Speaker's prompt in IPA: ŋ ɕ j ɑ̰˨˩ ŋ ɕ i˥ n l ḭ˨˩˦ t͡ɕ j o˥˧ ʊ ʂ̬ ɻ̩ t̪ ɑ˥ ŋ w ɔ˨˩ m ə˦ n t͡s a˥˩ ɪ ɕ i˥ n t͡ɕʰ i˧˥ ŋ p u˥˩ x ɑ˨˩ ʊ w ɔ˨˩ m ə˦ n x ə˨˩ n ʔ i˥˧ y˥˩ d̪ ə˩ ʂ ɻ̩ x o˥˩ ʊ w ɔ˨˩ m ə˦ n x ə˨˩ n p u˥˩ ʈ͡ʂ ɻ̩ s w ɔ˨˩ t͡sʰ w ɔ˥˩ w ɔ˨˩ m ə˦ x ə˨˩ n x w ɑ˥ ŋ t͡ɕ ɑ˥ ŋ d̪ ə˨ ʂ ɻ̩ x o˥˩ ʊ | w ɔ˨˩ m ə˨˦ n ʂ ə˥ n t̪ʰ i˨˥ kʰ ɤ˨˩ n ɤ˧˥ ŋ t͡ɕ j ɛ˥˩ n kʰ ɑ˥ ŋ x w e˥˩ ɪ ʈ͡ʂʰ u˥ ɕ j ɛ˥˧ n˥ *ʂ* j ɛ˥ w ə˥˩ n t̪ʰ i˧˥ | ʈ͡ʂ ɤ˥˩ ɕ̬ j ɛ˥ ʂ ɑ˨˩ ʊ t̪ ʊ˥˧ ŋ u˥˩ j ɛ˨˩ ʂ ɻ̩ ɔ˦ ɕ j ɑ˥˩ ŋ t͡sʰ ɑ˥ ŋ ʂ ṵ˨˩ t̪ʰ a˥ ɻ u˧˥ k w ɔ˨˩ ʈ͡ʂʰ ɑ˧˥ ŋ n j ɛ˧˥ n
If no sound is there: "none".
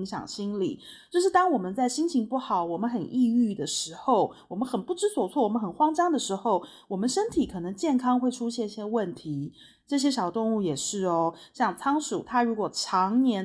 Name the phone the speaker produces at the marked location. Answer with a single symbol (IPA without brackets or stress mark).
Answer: ɕ